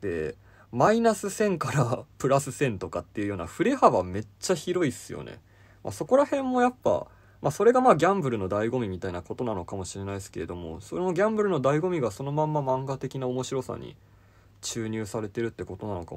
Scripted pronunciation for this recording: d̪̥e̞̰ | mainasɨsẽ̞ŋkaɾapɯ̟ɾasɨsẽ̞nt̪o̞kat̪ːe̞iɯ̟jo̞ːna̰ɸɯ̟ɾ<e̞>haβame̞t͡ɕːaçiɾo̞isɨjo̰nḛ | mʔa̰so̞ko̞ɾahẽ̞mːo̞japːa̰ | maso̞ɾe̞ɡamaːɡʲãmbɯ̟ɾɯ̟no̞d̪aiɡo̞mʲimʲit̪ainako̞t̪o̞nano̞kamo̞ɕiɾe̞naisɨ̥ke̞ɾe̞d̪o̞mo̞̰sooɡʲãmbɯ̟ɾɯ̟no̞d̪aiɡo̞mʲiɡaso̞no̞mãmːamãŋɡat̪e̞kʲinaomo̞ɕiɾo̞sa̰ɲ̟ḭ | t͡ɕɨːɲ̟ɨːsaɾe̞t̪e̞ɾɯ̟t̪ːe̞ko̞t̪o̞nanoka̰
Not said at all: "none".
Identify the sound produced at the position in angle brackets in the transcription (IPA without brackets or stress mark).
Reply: e̞